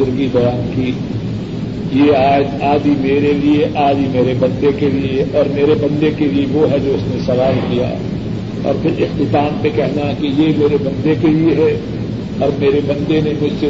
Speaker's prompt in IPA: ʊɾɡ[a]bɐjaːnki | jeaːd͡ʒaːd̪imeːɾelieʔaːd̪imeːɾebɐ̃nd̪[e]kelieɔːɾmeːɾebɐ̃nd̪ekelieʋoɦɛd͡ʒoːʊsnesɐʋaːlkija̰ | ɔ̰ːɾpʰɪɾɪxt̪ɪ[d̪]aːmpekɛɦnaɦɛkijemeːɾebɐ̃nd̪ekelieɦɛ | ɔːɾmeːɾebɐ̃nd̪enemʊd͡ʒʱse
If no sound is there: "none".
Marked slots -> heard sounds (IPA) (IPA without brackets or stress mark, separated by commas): i, e, t̪